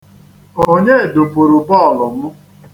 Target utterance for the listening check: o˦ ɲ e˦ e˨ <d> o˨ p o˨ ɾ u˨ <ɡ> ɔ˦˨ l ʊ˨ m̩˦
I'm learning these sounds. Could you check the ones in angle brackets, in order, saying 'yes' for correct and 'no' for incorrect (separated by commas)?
yes, no